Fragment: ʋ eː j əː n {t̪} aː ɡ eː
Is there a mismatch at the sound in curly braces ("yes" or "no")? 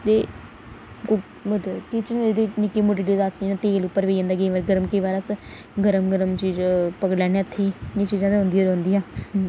yes